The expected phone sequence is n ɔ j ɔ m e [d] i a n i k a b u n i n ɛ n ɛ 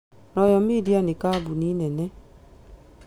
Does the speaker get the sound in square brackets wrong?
no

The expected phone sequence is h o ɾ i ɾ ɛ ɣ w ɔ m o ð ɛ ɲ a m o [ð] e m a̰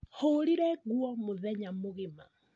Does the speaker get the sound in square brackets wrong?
yes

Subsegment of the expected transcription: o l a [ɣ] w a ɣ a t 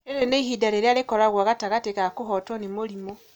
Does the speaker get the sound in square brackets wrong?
no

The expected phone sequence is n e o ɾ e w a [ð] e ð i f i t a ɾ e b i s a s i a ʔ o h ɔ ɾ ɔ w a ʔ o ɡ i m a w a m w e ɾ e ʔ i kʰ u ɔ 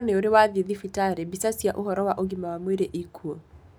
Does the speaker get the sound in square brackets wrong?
no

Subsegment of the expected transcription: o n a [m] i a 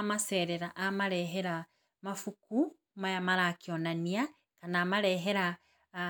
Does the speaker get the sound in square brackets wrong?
yes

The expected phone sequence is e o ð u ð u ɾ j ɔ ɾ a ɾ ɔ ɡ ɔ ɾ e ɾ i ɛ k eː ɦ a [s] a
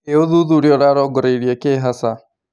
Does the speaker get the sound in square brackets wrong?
no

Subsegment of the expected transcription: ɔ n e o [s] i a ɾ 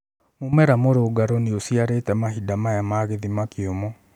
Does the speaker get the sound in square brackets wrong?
no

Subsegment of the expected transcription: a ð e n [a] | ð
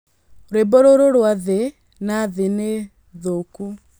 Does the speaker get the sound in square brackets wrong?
yes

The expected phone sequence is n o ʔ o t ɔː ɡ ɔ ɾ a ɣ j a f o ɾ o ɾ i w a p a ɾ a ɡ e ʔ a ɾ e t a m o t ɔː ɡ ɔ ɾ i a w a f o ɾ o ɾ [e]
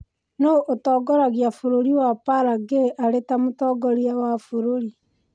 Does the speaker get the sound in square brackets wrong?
yes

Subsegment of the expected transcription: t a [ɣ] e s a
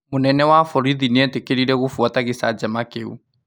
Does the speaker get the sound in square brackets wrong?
no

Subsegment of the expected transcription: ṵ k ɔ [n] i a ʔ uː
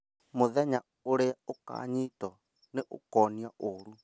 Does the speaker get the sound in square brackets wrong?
no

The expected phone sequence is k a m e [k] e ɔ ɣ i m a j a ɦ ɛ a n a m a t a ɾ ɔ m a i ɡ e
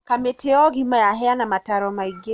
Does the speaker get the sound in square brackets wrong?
yes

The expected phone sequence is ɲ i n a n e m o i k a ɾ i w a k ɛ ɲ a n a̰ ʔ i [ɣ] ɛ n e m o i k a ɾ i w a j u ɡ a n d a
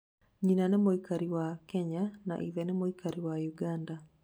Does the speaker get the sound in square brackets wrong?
yes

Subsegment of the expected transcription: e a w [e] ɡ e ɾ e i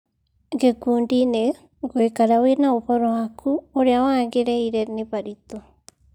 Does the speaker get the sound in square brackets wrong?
yes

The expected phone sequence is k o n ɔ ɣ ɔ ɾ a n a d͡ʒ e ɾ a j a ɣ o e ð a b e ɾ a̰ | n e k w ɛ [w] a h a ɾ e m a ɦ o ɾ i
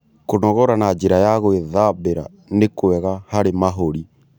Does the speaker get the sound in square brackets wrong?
yes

